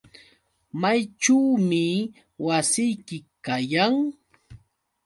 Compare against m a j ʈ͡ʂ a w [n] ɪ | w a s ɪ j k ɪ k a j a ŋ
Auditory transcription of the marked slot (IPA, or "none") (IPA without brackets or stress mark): m